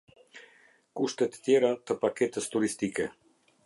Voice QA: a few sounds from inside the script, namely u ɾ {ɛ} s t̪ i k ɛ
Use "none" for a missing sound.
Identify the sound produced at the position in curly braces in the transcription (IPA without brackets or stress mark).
i